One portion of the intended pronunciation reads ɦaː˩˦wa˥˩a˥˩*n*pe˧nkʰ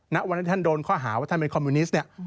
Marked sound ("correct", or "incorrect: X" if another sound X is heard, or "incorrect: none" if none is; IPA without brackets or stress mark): correct